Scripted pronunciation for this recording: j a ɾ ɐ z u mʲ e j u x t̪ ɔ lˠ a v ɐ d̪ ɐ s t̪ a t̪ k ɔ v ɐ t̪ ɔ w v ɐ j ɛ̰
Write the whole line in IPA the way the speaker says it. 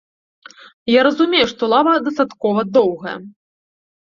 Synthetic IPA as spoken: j a ɾ ɐ z u mʲ e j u ʂ t̪ ɔ lˠ a v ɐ d̪ ɐ s t̪ a t̪ k ɔ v ɐ d̪ ɔ w ɣ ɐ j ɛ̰